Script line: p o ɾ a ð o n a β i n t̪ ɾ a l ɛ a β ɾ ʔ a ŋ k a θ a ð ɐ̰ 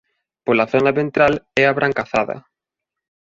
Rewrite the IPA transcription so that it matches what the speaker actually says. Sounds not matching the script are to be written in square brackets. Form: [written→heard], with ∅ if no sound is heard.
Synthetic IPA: p o [ɾ→l] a [ð→θ] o n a β [i→e] n t̪ ɾ a l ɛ a β ɾ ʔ a ŋ k a θ a ð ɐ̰